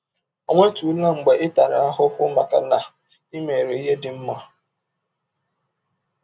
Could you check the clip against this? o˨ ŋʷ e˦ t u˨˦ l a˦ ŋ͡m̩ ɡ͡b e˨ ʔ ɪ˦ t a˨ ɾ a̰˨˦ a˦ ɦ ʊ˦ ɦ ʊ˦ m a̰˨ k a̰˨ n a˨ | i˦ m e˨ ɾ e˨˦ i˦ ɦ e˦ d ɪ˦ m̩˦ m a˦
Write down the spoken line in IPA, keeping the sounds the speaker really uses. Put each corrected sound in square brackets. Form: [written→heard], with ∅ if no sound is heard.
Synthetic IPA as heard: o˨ ŋʷ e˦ t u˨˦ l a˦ ŋ͡m̩ ɡ͡b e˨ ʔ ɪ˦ t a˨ ɾ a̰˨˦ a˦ ɦ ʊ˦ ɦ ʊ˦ m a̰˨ k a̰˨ n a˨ | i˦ m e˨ ɾ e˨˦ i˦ ɦ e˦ d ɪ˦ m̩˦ m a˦